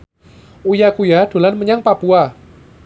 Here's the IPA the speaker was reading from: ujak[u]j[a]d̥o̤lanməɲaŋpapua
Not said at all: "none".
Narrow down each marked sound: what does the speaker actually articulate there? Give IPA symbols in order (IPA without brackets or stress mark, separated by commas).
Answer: u, a